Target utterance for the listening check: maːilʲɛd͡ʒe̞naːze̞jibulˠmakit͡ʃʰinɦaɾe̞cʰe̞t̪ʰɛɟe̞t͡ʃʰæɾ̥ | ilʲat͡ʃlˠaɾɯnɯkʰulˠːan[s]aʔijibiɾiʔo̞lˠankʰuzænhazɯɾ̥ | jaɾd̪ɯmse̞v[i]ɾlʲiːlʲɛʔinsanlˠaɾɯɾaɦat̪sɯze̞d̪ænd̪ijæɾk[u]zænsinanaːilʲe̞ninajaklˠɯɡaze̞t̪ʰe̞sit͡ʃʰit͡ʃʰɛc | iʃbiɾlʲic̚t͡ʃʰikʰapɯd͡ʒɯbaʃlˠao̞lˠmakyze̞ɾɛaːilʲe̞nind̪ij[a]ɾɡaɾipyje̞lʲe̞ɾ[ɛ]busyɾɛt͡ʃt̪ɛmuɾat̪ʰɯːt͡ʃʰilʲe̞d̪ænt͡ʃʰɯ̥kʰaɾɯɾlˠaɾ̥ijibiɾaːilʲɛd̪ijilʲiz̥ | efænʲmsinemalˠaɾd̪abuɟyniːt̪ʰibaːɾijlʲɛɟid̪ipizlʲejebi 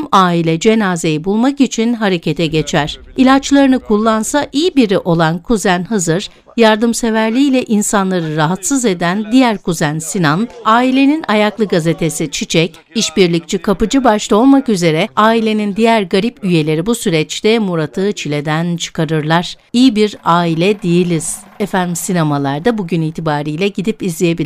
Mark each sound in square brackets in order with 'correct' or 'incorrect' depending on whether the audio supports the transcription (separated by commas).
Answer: correct, incorrect, correct, incorrect, incorrect